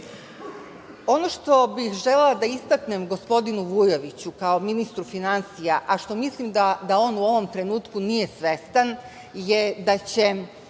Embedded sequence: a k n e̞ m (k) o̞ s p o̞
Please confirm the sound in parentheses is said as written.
no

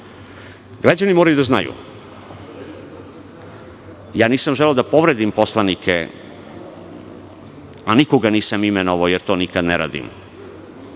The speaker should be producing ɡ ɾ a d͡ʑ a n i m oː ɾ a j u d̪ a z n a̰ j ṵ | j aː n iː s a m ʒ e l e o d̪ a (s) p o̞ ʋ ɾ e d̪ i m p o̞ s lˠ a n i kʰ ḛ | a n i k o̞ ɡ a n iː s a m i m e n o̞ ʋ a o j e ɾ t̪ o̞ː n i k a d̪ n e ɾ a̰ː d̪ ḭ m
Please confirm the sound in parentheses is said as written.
no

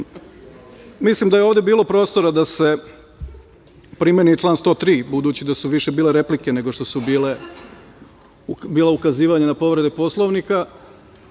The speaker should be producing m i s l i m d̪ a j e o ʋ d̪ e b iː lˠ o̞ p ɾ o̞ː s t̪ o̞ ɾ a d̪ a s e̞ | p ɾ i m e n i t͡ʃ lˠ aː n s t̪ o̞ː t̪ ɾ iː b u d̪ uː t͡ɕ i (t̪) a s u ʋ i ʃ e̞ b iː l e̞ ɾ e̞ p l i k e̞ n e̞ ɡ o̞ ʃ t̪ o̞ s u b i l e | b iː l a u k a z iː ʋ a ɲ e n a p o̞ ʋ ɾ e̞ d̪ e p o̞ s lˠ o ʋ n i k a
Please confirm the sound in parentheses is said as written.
no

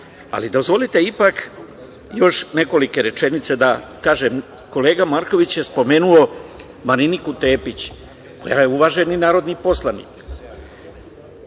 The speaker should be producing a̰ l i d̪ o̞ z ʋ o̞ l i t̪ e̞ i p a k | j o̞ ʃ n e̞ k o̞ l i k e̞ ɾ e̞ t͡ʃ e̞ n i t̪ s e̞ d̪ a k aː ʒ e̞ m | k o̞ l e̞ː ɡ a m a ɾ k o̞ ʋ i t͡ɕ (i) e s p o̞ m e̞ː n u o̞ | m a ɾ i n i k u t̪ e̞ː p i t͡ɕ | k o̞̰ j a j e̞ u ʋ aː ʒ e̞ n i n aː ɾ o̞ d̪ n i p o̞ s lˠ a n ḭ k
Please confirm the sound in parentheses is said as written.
no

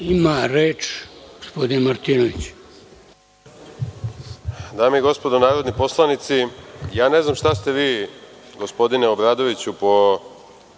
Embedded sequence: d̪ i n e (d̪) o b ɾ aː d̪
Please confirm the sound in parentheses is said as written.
no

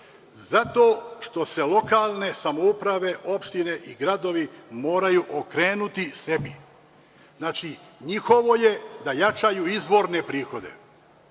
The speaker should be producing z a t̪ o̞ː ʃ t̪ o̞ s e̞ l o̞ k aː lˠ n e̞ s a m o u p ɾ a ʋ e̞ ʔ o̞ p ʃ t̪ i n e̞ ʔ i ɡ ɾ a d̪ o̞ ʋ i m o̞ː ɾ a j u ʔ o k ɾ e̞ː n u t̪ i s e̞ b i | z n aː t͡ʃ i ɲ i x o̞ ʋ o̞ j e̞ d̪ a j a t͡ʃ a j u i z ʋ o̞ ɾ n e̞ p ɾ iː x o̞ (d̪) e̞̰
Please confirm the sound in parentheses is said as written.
yes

